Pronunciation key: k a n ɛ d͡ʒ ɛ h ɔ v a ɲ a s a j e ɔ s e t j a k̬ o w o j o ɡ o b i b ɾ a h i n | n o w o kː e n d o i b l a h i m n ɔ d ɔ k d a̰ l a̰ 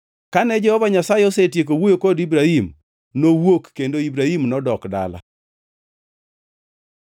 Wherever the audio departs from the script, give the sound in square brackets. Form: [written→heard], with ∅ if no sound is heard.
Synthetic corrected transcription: k a n ɛ d͡ʒ ɛ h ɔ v a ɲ a s a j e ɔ s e t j [a→e] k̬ o w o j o [ɡ→k] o [b→d] i b ɾ a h i [n→m] | n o w o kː e n d o i b [l→ɾ] a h i m n ɔ d ɔ k d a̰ l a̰